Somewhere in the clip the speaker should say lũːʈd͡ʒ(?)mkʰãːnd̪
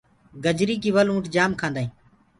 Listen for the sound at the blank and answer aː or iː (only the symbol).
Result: aː